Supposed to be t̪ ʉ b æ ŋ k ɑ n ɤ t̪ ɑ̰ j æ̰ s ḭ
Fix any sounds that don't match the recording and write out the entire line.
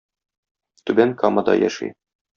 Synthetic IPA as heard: t̪ ʉ b æ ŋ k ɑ m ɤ d̪ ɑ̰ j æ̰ ʃ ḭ